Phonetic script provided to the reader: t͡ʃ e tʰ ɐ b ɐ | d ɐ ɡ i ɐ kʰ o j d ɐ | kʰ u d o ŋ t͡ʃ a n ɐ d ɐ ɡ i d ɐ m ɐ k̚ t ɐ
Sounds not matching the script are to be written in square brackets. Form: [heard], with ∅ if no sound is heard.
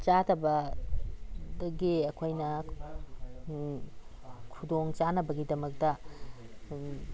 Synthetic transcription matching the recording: t͡ʃ [a] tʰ ɐ b ɐ | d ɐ ɡ i ɐ kʰ o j [n] ɐ | kʰ u d o ŋ t͡ʃ a n ɐ [b] ɐ ɡ i d ɐ m ɐ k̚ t ɐ